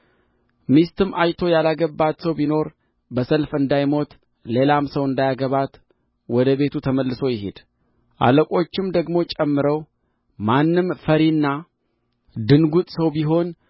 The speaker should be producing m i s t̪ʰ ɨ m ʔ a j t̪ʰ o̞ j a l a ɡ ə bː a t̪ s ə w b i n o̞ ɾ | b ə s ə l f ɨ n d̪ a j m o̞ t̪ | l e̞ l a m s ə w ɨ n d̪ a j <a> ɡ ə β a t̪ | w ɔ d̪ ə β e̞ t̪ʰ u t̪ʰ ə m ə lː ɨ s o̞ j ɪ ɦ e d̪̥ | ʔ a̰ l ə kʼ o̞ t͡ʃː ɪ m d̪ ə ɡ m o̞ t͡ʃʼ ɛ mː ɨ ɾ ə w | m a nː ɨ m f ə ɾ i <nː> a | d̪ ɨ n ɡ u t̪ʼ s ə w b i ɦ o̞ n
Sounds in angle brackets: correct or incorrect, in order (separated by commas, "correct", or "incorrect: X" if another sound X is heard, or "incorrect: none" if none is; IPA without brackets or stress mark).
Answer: correct, correct